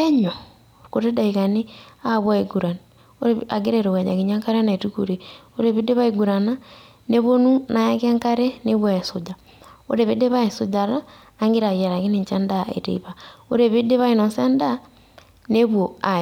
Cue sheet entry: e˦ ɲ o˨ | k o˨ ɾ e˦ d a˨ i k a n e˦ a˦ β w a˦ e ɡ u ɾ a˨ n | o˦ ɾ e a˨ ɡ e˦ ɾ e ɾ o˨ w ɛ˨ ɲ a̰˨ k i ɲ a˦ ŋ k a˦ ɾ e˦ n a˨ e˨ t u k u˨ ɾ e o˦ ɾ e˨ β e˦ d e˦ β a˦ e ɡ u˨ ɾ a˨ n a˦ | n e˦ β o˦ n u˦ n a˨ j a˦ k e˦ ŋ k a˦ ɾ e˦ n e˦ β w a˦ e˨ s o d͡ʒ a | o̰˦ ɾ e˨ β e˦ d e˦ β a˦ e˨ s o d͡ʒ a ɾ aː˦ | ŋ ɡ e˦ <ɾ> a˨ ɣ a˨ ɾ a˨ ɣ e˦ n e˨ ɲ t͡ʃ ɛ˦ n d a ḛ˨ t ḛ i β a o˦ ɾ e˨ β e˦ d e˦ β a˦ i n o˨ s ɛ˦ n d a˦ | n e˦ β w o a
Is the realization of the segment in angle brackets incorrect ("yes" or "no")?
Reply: no